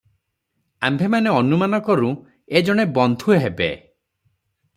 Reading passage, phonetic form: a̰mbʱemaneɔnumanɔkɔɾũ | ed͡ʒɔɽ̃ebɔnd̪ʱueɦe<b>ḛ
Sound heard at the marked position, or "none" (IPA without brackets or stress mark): b